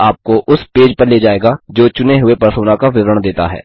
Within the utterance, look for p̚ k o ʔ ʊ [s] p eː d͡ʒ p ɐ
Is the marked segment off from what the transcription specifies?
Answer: no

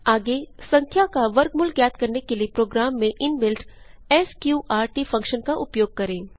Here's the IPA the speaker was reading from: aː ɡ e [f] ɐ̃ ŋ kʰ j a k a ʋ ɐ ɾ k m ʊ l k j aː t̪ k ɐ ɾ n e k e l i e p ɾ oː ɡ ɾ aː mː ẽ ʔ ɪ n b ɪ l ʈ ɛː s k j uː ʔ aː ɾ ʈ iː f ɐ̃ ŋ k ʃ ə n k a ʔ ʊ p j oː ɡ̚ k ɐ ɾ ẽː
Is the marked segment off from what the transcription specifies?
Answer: yes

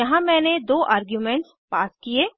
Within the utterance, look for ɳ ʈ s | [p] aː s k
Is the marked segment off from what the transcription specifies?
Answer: no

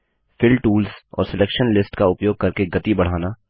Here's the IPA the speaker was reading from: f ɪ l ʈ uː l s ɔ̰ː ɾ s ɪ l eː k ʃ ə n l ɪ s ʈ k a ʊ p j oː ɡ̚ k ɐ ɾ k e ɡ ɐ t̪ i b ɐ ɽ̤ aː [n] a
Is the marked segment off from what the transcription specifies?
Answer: no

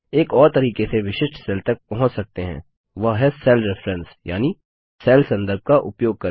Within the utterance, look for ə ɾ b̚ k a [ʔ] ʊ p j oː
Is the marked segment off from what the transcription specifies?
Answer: no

